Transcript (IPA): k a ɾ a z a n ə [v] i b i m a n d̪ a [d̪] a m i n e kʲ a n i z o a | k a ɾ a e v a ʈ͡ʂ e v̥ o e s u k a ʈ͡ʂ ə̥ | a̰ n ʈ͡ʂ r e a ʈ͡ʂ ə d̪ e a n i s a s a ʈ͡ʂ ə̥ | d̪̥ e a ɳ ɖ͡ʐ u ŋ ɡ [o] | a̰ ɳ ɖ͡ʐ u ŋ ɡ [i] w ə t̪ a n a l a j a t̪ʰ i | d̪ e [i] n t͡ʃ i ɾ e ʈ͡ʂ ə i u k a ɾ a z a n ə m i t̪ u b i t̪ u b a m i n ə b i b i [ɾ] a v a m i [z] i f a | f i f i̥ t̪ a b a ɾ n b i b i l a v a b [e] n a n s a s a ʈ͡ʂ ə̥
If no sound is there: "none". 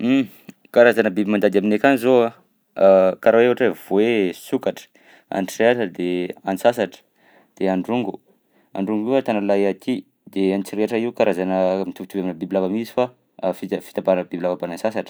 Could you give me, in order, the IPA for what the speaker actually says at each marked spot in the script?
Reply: b, d̪, u, i, a, l, z, a

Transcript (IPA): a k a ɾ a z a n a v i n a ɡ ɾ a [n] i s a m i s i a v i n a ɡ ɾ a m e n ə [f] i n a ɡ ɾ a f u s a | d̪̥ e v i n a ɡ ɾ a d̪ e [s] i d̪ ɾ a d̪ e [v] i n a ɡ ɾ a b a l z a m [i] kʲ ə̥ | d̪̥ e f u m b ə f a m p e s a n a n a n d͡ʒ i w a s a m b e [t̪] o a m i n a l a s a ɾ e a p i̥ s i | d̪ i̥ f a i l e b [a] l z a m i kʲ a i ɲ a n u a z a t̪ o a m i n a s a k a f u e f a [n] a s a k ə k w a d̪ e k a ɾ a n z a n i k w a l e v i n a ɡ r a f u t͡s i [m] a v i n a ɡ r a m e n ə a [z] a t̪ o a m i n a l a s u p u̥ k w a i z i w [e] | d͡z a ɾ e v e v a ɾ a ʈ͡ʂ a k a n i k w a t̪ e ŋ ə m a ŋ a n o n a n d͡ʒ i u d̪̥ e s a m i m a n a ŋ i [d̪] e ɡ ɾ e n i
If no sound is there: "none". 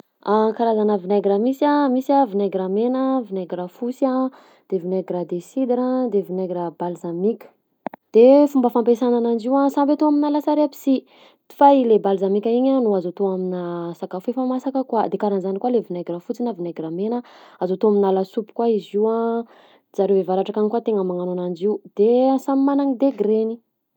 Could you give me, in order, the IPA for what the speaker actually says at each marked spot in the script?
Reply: m, v, s, v, i, t̪, a, m, n, z, a, d̪

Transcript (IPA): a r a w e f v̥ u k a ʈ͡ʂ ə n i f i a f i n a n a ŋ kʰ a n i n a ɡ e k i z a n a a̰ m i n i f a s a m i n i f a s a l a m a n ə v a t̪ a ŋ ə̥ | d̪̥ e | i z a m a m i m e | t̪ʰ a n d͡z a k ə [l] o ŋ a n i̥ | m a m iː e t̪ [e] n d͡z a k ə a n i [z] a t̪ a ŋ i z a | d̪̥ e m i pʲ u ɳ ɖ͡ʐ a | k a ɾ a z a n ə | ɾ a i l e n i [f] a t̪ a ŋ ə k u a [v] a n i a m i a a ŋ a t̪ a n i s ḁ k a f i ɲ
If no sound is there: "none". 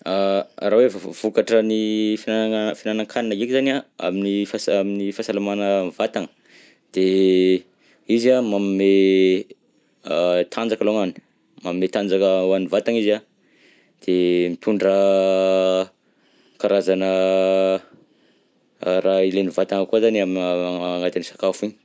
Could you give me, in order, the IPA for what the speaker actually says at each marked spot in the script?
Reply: l, a, v, v, z

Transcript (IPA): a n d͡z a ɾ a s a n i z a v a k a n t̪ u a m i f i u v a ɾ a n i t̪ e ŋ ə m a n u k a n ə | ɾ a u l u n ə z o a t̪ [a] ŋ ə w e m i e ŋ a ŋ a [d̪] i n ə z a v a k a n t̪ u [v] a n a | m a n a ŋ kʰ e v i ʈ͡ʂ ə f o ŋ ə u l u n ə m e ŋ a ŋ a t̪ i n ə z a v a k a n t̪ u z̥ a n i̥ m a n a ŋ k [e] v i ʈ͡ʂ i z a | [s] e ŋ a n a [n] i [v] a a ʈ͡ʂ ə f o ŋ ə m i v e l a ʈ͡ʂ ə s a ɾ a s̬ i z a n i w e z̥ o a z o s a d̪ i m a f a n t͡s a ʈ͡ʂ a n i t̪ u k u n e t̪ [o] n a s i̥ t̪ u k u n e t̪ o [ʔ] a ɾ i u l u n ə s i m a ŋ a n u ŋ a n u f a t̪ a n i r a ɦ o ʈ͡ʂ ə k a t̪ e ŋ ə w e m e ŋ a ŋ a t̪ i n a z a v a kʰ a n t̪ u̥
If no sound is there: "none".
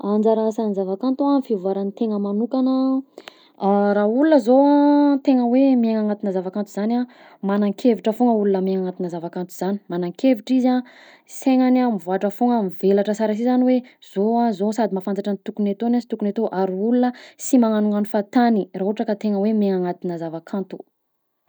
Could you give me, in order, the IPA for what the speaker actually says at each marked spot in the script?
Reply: e, t̪, z, e, s, m, v, o, ʔ

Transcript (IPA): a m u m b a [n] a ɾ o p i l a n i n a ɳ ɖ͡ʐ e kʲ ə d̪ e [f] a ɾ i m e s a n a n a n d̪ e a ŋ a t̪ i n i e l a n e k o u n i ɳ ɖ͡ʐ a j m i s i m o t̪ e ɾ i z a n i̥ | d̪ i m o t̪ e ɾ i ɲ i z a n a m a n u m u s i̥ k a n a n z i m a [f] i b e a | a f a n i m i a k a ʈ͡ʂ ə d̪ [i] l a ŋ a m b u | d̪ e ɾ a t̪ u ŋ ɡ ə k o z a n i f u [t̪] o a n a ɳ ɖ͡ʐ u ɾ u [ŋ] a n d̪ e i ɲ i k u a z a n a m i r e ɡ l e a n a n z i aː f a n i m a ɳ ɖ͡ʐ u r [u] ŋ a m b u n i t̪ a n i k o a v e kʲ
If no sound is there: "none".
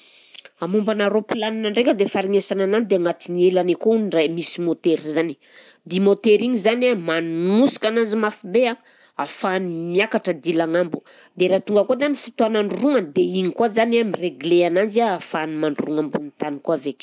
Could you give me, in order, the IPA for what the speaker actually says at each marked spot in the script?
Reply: n, f, f, i, t̪, ŋ, u

